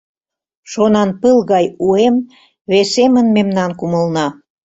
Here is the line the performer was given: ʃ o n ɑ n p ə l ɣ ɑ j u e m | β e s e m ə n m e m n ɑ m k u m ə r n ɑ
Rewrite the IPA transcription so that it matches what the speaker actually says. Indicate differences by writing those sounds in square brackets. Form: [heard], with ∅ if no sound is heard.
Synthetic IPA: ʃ o n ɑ n p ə l ɣ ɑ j u e m | β e s e m ə n m e m n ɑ [n] k u m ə [l] n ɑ